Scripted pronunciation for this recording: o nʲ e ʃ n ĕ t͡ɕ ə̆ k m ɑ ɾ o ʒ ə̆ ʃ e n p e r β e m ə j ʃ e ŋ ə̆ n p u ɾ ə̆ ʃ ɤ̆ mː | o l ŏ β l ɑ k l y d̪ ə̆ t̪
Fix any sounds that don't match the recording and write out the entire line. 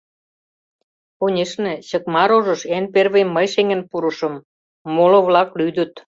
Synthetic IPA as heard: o nʲ e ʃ n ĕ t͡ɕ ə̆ k m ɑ ɾ o ʒ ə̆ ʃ e n p e r β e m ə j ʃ e ŋ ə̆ n p u ɾ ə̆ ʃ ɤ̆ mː | o l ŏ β l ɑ k l y d̪ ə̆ t̪